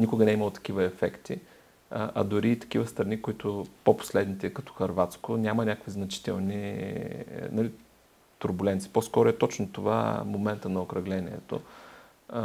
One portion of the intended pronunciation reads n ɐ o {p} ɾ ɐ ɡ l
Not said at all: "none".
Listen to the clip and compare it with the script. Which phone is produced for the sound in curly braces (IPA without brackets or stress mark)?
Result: k